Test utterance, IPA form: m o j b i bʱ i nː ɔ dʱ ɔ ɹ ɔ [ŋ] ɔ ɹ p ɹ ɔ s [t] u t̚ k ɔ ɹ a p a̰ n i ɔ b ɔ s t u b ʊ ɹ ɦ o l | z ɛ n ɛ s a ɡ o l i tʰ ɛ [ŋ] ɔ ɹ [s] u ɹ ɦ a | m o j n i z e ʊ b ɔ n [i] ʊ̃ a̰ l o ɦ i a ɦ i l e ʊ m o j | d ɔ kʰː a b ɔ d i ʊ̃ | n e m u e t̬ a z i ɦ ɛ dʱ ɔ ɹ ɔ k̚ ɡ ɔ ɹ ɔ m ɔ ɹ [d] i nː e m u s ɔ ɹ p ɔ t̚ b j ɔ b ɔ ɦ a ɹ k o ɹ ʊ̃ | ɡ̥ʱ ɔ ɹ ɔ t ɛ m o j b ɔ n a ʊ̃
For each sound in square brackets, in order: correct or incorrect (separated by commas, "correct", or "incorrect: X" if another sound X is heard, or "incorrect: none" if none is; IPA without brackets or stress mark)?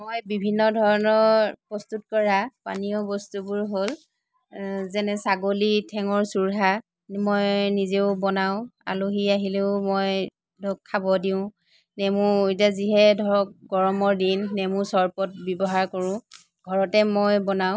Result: incorrect: n, correct, correct, correct, incorrect: a, correct